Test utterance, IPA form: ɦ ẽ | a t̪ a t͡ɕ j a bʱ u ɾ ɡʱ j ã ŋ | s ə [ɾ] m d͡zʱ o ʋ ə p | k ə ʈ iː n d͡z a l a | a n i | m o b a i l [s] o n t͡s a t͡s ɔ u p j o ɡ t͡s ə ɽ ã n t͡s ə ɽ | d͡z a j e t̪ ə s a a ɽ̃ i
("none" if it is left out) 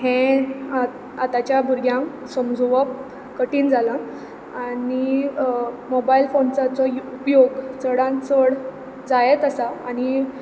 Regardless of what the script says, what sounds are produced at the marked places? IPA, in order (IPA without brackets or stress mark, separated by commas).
none, f